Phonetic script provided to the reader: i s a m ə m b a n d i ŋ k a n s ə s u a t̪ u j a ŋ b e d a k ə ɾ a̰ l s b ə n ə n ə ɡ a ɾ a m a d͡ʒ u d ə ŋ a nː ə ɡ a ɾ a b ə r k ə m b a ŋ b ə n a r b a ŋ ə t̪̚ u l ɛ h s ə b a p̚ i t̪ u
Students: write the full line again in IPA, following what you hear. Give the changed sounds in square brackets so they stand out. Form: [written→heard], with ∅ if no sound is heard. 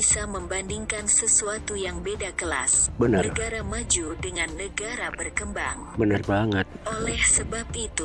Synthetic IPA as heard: i s a m ə m b a n d i ŋ k a n s ə s u a t̪ u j a ŋ b e d a k ə [ɾ→l] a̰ [l→∅] s b ə n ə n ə ɡ a ɾ a m a d͡ʒ u d ə ŋ a nː ə ɡ a ɾ a b ə r k ə m b a ŋ b ə n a r b a ŋ ə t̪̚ [u→o] l ɛ h s ə b a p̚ i t̪ u